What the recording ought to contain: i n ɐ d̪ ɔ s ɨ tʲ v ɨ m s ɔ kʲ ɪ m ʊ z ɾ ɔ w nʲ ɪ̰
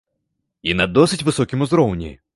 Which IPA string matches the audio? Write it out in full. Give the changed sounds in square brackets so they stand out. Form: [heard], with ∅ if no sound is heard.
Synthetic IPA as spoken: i n ɐ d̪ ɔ s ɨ tʲ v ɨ [∅] s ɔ kʲ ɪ m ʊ z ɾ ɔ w nʲ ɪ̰